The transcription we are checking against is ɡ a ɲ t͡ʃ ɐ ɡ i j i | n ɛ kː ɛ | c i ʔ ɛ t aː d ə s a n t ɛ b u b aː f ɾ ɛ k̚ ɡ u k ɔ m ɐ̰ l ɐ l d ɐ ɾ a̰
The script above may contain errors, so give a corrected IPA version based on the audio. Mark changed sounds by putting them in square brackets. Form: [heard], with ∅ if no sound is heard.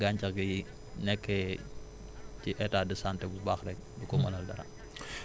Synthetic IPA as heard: ɡ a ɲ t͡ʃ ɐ ɡ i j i | n ɛ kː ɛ | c i ʔ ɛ t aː d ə s a n t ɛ b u b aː [x] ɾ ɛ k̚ [d] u k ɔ m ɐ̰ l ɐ l d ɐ ɾ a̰